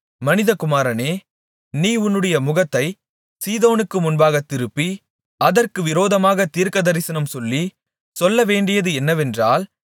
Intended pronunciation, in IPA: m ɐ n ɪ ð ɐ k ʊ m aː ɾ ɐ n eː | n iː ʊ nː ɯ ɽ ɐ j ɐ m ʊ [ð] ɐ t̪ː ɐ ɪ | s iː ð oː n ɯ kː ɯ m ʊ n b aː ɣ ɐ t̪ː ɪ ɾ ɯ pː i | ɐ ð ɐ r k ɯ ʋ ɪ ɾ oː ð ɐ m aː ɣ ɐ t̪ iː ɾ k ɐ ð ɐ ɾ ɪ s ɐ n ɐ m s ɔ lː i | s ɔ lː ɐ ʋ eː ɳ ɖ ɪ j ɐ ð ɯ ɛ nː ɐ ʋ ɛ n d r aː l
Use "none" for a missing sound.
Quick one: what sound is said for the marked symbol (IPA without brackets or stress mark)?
ɣ